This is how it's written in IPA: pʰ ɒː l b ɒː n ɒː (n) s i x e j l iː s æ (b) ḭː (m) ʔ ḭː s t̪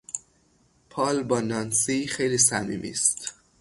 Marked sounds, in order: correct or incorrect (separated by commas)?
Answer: correct, incorrect, correct